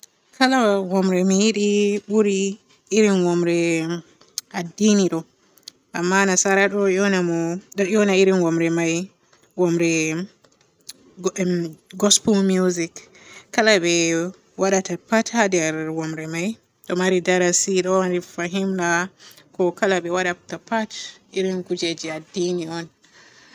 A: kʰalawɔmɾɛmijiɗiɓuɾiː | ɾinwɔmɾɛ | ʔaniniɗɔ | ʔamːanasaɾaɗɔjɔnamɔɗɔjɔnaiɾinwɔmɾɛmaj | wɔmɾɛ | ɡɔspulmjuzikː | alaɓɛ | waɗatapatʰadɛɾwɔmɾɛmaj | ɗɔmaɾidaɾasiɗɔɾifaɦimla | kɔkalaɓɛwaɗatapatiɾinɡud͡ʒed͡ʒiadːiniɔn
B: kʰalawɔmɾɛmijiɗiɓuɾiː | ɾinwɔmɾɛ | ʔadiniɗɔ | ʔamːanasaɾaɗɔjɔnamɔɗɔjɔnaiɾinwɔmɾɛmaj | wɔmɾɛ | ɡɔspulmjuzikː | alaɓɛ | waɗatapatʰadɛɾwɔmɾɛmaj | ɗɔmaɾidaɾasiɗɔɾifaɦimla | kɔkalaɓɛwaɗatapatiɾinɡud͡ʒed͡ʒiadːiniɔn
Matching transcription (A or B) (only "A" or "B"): B